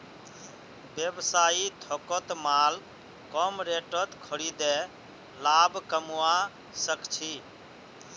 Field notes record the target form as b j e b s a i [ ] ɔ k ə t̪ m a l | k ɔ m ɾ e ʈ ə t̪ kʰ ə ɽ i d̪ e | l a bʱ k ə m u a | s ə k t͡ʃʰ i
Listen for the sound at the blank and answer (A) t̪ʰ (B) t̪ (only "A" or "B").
A